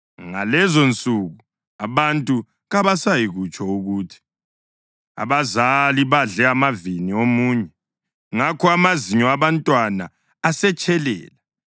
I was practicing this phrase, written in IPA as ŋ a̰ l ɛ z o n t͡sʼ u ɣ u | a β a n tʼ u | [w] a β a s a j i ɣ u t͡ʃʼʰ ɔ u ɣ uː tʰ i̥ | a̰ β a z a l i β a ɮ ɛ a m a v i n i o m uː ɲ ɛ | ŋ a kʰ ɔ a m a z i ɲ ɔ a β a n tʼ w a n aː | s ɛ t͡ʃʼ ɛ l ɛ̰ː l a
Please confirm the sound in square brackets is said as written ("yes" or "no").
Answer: no